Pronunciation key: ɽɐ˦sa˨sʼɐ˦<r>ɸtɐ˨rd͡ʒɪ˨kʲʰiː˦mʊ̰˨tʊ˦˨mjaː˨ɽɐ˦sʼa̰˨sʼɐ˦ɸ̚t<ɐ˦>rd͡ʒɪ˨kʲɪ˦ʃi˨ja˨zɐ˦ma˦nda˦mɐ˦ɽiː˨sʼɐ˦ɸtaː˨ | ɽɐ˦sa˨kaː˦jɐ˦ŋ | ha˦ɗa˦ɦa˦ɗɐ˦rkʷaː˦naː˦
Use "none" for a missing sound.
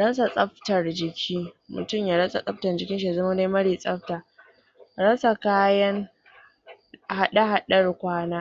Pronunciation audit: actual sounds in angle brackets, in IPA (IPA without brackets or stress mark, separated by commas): none, ɐ˨